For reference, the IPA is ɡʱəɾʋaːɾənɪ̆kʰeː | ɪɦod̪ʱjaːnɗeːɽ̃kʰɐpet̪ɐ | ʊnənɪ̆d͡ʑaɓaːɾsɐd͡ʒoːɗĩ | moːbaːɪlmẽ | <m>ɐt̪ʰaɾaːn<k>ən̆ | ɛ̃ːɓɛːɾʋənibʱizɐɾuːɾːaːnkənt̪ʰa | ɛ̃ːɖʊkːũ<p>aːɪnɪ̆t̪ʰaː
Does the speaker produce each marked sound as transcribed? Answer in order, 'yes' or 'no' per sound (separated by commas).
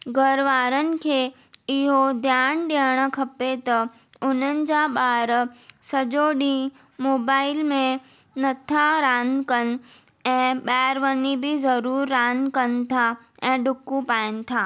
no, yes, yes